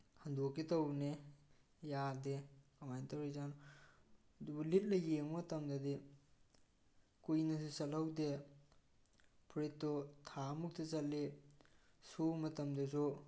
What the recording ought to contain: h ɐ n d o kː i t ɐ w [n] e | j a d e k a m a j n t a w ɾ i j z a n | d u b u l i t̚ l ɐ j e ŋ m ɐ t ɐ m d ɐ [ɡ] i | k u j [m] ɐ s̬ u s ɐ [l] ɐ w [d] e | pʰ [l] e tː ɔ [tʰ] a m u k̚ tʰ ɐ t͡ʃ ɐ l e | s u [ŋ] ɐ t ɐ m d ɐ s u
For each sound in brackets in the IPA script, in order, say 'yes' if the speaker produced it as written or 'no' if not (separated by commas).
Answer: yes, no, no, yes, yes, no, yes, no